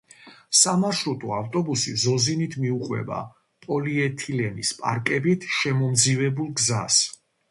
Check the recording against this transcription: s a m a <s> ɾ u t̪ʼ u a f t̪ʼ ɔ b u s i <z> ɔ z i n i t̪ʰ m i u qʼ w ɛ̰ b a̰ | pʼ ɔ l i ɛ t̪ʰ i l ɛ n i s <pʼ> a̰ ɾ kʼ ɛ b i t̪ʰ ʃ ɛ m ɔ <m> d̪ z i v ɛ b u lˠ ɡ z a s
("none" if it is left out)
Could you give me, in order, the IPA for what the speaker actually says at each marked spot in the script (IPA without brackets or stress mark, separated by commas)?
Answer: ʃ, z, pʼ, m